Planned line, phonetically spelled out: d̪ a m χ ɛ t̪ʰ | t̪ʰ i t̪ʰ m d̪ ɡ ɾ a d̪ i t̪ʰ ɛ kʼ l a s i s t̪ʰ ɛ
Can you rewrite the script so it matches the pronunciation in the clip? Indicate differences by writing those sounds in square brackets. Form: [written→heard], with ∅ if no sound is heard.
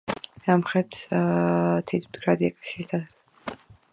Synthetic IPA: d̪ a m χ ɛ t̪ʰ | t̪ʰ i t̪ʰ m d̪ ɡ ɾ a d̪ i [t̪ʰ→∅] ɛ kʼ l [a→ɛ] s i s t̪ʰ [ɛ→a]